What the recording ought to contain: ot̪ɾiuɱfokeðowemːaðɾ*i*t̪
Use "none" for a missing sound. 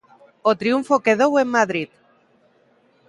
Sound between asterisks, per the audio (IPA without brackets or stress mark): i